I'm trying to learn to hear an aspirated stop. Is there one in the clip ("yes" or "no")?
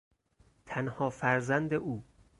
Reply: yes